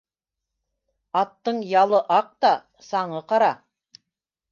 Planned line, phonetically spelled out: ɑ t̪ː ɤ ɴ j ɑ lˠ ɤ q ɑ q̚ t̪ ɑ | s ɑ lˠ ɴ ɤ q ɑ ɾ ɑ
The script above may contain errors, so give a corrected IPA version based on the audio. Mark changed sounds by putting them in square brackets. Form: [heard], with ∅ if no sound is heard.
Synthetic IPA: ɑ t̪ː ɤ ɴ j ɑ lˠ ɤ [ʔ] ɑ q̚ t̪ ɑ | s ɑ [∅] ɴ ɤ q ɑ ɾ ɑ